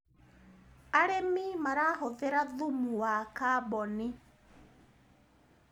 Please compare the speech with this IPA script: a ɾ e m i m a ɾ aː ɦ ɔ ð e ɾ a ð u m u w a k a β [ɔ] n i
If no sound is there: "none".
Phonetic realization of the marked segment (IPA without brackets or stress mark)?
ɔ